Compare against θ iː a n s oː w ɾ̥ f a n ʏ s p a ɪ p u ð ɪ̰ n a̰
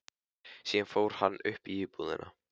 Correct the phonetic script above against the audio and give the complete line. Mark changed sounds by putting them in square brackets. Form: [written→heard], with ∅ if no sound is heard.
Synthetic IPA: [θ→s] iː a n [s→f] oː w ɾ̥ [f→h] a [n→nː] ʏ [s→h] p [a→i] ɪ p u ð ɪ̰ n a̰